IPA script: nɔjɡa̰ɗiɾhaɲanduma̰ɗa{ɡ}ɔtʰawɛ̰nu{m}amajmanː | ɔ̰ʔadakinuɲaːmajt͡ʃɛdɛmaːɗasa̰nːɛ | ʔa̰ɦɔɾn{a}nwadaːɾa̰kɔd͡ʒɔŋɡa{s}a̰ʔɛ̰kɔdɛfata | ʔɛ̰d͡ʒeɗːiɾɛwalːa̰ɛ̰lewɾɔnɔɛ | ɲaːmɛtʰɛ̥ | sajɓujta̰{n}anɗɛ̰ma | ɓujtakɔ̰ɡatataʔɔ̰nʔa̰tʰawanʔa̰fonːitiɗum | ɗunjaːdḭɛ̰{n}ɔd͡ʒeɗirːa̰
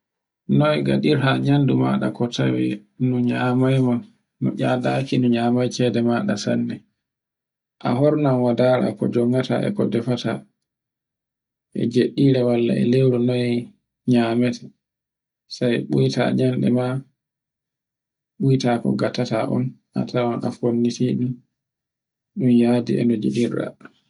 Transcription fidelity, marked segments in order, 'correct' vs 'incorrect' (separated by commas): incorrect, incorrect, correct, incorrect, incorrect, correct